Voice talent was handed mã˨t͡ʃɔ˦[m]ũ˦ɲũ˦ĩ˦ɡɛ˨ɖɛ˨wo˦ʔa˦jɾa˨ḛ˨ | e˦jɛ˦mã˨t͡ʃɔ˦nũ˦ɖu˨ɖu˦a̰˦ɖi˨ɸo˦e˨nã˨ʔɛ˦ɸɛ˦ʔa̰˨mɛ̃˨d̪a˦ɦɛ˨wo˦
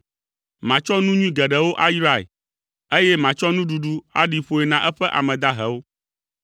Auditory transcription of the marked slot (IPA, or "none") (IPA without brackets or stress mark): n